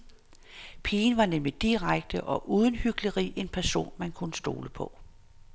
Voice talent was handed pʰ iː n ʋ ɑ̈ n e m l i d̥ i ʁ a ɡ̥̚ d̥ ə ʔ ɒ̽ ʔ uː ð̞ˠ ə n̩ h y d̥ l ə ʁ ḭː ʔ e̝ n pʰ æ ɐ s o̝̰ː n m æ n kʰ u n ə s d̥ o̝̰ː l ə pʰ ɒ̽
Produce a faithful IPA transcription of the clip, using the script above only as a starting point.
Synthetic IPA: pʰ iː n ʋ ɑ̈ n e m l i d̥ i ʁ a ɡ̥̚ d̥ ə ʔ ɒ̽ ʔ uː ð̞ˠ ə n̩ h y ɡ̥ l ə ʁ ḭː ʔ e̝ n pʰ æ ɐ s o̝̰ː n m æ n kʰ u n ə s d̥ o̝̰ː l ə pʰ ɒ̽